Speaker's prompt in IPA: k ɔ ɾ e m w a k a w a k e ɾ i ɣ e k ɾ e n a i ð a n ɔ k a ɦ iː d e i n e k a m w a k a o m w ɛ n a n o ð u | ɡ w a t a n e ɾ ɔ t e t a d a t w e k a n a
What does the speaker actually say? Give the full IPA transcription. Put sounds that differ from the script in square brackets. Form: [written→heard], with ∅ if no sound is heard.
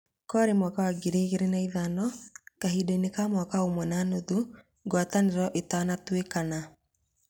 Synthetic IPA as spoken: k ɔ ɾ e m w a k a w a [k→ɡ] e ɾ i ɣ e [k→∅] ɾ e n a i ð a n ɔ k a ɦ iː d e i n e k a m w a k a o m w ɛ n a n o ð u | ɡ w a t a n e ɾ ɔ [t→ʔ] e t a [d→n] a t w e k a n a